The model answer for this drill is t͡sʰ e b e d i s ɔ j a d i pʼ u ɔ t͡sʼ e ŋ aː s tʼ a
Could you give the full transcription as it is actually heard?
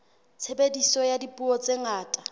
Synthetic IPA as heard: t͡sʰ e b e d i s ɔ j a d i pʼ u ɔ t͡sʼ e ŋ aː tʼ a